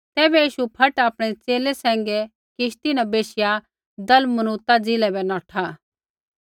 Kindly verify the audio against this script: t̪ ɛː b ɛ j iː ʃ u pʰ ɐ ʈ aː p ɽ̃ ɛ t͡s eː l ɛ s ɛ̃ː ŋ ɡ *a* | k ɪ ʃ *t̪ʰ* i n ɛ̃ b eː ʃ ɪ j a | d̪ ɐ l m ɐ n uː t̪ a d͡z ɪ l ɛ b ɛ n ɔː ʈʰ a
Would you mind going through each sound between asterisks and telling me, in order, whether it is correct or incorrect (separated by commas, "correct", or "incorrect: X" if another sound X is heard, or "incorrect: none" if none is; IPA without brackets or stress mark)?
incorrect: ɛ, incorrect: t̪